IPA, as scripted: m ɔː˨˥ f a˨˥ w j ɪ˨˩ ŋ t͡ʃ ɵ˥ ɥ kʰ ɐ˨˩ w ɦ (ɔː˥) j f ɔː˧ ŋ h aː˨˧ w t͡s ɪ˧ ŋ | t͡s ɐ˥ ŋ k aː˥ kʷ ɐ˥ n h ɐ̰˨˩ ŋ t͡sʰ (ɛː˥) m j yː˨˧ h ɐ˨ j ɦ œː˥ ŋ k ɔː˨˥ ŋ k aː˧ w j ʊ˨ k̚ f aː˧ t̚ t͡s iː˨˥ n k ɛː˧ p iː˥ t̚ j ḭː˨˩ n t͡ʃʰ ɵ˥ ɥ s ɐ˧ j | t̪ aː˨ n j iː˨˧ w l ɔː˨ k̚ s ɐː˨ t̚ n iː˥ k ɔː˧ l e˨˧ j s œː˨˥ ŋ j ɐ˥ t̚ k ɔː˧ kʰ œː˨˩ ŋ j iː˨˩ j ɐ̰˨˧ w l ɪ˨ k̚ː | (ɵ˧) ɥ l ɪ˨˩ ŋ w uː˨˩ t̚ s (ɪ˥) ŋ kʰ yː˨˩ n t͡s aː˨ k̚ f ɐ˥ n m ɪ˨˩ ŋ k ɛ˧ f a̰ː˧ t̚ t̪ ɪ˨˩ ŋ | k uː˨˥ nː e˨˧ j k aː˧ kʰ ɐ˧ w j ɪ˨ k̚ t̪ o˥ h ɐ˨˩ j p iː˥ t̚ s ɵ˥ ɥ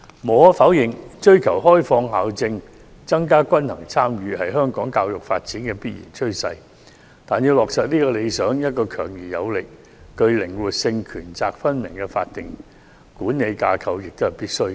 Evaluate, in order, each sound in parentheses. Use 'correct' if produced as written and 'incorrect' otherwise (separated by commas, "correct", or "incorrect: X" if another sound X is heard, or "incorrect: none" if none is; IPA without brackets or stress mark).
correct, incorrect: aː˥, correct, incorrect: ɪ˧